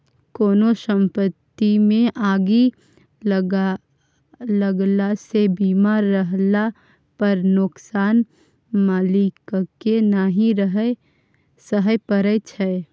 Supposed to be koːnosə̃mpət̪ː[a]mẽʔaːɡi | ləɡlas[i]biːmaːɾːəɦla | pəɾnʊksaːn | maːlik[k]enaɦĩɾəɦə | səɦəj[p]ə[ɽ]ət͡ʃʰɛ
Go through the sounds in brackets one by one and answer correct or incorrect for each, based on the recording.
incorrect: i, incorrect: e, correct, correct, incorrect: ɾ

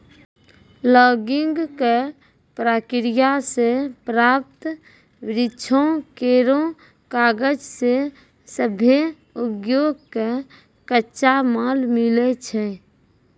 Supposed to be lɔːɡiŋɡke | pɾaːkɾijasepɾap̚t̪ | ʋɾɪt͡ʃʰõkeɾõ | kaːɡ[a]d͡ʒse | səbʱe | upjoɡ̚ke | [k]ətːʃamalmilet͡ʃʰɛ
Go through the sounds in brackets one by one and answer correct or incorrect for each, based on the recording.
incorrect: ə, correct

